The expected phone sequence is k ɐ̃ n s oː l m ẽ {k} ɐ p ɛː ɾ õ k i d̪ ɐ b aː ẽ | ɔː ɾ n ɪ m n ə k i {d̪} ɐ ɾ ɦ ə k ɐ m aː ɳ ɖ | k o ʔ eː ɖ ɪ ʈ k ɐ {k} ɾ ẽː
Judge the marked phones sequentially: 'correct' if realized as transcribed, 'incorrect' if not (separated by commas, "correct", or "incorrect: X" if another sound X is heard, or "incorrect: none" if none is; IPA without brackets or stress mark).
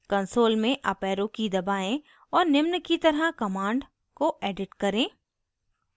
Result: incorrect: ʔ, incorrect: t̪, incorrect: none